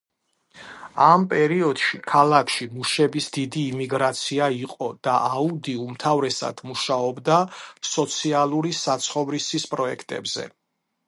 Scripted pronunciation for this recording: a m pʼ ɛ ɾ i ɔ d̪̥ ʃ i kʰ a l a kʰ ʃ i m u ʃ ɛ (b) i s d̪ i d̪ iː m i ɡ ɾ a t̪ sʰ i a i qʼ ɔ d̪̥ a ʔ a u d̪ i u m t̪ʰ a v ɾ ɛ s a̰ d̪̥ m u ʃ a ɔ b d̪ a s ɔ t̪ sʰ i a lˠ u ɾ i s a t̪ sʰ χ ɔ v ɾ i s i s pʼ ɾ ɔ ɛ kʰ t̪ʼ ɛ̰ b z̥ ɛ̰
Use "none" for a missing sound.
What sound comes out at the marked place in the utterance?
b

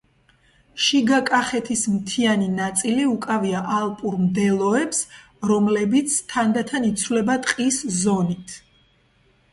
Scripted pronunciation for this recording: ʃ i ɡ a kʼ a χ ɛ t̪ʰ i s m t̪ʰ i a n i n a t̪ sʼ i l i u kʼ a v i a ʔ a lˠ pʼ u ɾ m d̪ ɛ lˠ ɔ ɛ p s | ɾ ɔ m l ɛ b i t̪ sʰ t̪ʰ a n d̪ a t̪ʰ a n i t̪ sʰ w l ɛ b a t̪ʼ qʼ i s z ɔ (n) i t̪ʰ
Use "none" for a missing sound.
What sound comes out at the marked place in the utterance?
n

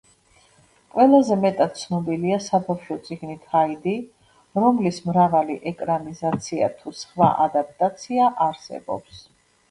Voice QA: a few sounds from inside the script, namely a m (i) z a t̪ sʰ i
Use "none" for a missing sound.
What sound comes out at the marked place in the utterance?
i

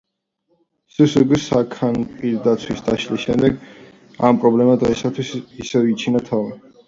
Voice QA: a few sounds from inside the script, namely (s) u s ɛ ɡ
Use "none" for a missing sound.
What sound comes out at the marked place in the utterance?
s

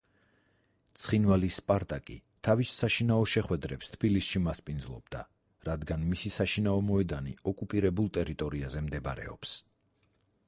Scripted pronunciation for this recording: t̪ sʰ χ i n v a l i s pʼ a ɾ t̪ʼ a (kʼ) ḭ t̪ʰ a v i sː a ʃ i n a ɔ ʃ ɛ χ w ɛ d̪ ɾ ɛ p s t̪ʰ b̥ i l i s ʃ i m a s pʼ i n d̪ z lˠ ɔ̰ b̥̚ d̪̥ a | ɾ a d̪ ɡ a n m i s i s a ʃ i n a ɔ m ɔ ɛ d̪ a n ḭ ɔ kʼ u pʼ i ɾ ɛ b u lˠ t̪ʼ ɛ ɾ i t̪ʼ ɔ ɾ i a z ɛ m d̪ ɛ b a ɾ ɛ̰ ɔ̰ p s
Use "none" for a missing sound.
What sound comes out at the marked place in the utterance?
kʼ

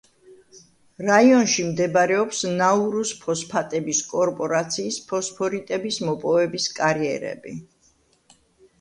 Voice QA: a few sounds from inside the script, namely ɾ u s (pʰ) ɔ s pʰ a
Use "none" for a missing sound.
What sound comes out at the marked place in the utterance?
pʰ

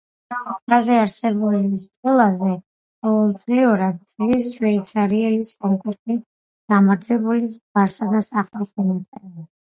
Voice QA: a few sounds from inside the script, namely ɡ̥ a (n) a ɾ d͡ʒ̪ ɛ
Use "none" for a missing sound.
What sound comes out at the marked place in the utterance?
m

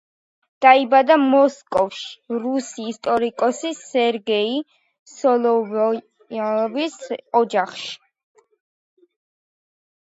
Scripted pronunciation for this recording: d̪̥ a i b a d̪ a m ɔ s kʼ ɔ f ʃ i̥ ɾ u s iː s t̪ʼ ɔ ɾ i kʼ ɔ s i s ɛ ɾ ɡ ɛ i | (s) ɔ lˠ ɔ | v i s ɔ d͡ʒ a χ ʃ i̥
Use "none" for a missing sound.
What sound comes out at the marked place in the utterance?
s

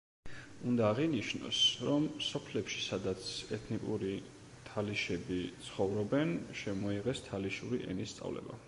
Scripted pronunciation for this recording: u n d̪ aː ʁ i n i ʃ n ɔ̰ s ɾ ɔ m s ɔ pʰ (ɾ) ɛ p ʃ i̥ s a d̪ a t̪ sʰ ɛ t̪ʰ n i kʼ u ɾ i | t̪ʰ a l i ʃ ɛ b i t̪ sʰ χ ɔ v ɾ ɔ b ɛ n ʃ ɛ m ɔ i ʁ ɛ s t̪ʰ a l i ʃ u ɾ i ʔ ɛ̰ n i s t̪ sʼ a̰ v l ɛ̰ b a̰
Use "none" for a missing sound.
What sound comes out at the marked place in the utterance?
l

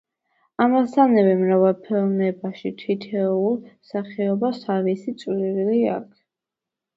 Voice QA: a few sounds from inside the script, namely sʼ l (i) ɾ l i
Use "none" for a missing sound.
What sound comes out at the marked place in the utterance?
i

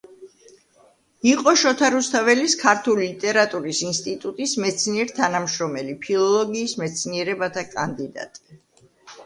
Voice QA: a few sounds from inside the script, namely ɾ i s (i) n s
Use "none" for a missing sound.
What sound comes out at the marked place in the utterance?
i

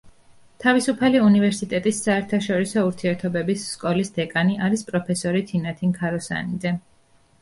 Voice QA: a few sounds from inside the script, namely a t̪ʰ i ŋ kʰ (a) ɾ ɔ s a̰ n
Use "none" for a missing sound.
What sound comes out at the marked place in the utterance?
a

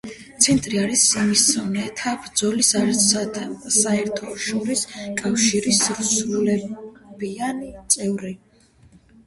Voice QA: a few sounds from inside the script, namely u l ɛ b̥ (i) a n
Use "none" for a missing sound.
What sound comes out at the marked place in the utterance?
i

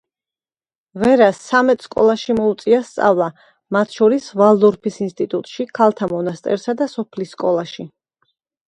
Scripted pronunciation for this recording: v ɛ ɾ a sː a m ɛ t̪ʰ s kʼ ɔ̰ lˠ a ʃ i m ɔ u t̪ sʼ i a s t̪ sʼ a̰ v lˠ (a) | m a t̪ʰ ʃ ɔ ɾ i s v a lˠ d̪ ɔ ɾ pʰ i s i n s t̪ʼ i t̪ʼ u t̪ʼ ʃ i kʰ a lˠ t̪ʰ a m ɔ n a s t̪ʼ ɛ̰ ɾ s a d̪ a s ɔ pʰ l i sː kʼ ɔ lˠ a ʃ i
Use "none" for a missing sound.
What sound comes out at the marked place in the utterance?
a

